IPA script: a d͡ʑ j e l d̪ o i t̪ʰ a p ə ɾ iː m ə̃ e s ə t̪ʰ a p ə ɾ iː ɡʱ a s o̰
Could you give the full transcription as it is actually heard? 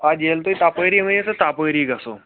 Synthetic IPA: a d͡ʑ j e l t̪ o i t̪ a p ə ɾ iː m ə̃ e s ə t̪ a p ə ɾ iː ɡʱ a s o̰